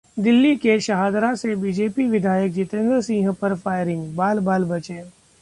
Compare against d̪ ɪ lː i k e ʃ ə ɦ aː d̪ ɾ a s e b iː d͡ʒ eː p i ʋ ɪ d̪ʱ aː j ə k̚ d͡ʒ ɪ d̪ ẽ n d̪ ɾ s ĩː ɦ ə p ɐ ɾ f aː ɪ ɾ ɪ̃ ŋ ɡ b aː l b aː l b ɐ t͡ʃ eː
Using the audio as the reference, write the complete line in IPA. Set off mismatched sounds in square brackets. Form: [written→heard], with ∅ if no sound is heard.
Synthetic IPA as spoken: d̪ ɪ lː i k e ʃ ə ɦ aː d̪ ɾ a s e b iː d͡ʒ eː p i ʋ ɪ d̪ʱ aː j ə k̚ d͡ʒ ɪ [d̪→t̪] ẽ n d̪ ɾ s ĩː ɦ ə p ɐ ɾ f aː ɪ ɾ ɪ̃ ŋ ɡ b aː l b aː l b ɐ t͡ʃ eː